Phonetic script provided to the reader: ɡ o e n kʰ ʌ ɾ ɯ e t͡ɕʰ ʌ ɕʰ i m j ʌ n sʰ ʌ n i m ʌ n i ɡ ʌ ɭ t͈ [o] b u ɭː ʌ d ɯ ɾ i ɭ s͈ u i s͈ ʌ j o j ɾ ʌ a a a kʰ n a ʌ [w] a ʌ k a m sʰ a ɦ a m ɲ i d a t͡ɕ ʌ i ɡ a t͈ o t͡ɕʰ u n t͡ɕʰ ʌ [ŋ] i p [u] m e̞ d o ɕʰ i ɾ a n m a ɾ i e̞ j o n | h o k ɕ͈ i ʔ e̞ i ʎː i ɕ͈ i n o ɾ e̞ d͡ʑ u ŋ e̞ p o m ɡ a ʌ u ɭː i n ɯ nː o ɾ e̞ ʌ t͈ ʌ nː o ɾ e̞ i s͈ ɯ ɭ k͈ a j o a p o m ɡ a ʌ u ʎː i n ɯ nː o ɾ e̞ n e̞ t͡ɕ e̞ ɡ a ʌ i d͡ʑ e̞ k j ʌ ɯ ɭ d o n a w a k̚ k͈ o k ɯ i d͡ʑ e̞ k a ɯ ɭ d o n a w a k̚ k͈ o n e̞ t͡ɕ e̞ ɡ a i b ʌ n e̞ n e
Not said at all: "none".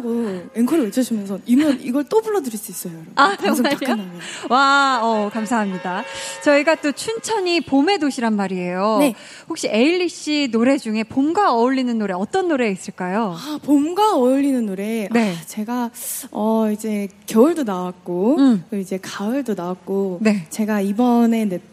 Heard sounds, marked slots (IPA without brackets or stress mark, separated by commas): o, w, ɲ, o